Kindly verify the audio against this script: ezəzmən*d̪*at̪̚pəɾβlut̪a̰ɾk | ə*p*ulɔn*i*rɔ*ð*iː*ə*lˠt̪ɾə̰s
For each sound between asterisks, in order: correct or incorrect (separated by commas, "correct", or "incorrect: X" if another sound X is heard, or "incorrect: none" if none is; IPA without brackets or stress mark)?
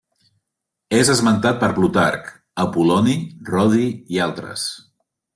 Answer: incorrect: t̪, correct, correct, correct, incorrect: a